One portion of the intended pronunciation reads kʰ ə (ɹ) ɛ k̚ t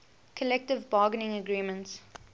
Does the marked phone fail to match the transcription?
yes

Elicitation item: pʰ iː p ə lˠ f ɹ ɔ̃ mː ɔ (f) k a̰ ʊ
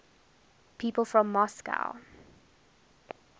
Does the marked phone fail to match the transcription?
yes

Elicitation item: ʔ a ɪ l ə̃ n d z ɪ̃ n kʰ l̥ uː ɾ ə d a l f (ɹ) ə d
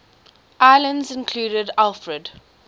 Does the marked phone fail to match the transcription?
no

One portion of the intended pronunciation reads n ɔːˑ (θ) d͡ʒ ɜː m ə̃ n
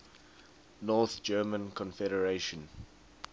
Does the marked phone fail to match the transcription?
no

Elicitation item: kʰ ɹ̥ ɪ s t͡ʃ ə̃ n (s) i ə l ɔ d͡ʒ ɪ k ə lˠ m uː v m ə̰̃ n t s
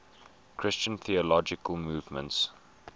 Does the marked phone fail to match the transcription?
yes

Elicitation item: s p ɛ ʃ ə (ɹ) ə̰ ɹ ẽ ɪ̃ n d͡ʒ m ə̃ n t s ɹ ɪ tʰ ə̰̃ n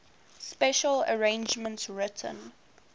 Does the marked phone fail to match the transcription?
yes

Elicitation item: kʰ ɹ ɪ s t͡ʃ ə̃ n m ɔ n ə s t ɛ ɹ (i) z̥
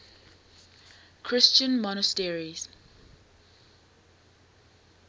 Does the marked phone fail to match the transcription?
no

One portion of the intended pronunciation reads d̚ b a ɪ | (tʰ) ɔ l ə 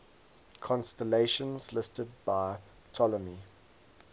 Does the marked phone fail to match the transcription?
no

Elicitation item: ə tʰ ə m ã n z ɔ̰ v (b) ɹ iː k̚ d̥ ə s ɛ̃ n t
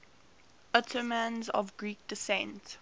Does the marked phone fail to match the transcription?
yes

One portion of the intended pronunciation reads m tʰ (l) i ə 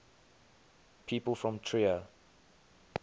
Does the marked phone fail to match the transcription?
yes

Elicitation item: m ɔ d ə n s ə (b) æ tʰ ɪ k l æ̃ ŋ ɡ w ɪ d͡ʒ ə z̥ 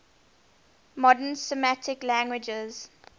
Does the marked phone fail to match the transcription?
yes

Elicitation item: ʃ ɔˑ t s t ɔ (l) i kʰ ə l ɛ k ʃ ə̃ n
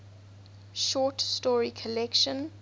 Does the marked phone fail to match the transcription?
yes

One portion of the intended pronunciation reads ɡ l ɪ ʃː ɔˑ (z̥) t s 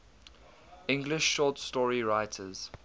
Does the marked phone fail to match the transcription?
yes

